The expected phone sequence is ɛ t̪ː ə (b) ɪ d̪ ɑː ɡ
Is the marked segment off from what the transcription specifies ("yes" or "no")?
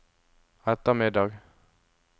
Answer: yes